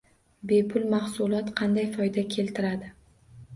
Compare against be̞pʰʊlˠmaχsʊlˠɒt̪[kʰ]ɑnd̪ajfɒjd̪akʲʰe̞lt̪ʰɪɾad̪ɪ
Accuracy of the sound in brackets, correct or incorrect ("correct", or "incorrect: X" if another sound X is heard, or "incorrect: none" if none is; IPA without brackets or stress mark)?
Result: incorrect: qʰ